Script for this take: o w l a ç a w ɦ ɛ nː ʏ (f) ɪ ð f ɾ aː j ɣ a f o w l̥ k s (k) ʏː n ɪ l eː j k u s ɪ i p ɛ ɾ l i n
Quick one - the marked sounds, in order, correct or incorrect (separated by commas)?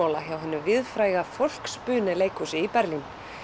incorrect, incorrect